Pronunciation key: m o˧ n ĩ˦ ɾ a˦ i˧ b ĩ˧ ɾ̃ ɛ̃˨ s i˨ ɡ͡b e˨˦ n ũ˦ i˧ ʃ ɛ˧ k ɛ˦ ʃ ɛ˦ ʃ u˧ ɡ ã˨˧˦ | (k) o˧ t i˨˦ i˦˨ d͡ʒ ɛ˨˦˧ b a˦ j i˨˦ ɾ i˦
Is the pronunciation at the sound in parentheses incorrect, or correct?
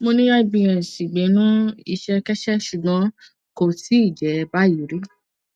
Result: correct